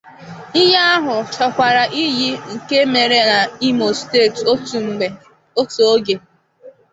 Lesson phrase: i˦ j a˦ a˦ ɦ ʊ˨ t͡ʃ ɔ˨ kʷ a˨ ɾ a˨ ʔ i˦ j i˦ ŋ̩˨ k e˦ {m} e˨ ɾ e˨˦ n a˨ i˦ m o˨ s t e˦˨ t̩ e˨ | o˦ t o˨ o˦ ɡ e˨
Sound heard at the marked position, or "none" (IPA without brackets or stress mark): m